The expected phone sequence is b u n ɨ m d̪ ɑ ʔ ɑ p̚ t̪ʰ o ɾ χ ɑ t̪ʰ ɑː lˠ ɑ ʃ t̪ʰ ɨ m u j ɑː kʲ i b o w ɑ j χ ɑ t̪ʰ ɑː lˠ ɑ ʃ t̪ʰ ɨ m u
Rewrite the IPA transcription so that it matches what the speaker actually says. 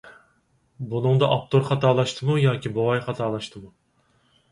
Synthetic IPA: b u n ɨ ŋ d̪ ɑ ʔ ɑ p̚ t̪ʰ o ɾ χ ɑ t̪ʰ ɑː lˠ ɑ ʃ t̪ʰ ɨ m u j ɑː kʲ i b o w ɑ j χ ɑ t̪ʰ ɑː lˠ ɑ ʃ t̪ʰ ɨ m u